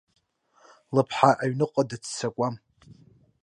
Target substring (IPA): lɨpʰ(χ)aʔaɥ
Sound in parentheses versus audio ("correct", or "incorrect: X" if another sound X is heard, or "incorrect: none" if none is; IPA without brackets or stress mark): incorrect: ħ